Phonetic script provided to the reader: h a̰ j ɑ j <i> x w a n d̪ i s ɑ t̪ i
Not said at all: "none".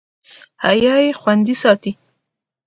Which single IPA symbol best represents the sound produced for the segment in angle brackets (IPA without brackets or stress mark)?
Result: e